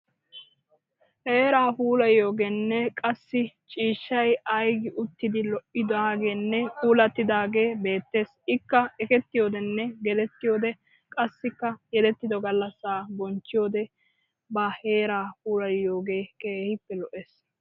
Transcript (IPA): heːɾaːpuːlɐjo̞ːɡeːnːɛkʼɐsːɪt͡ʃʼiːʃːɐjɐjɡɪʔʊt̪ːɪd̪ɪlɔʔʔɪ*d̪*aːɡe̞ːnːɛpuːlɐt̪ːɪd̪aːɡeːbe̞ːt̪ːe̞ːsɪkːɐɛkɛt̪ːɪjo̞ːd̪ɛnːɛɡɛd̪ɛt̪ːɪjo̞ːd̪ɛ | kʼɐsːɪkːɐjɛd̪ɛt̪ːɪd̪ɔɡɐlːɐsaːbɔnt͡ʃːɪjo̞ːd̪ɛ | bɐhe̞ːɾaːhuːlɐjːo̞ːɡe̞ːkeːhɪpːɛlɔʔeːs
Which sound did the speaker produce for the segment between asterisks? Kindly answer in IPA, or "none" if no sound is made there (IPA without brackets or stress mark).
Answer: d̪